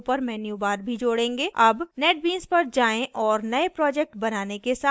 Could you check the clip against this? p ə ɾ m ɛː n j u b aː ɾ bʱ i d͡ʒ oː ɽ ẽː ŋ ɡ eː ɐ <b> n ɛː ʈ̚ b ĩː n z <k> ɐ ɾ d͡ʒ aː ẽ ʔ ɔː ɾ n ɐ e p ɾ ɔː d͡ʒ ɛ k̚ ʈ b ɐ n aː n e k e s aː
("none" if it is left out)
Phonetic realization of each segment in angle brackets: b, p

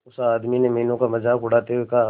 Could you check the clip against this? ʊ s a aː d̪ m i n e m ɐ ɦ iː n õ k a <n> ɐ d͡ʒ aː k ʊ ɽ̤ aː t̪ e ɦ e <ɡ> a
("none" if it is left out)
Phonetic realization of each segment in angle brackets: m, k

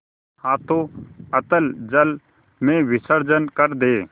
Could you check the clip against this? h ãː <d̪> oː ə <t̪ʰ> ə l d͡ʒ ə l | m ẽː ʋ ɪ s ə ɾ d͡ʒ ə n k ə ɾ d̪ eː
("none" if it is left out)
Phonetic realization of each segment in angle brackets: t̪, t̪

